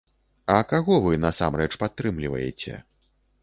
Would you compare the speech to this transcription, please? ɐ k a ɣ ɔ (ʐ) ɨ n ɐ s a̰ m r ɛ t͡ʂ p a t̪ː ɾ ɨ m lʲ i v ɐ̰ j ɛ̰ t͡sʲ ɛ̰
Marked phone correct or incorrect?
incorrect